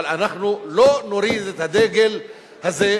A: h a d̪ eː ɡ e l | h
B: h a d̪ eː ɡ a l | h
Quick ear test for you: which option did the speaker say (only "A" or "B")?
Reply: A